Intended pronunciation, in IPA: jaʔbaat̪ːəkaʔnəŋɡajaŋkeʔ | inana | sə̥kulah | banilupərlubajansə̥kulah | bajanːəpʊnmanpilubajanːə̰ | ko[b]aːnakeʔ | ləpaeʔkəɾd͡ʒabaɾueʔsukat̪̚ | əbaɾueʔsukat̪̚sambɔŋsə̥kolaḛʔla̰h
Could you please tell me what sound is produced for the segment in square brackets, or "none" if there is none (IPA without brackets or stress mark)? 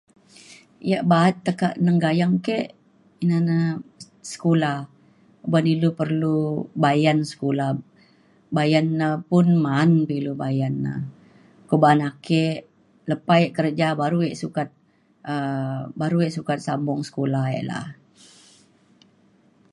b